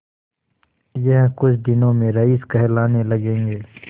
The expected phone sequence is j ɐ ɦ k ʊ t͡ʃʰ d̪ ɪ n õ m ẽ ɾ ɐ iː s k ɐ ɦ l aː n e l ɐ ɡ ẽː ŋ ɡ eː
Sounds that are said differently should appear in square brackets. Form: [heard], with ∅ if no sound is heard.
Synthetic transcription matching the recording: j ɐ ɦ k ʊ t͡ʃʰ d̪ ɪ n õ m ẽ ɾ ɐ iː s k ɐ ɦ l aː n e l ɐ ɡ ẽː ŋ ɡ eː